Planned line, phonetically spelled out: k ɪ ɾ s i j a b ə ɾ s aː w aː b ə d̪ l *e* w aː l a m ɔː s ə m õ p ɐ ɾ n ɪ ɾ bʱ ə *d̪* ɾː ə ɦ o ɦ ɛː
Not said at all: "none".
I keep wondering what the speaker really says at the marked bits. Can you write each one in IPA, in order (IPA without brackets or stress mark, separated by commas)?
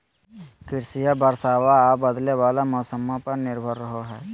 e, none